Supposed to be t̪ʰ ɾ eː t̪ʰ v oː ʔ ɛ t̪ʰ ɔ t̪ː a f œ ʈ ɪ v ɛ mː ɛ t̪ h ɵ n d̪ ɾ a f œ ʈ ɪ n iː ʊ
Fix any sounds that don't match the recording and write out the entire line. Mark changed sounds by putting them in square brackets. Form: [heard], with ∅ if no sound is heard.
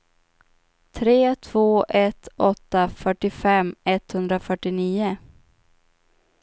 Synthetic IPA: t̪ʰ ɾ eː t̪ʰ v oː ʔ ɛ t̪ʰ ɔ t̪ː a f œ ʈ ɪ [f] ɛ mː ɛ t̪ h ɵ n d̪ ɾ a f œ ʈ ɪ n iː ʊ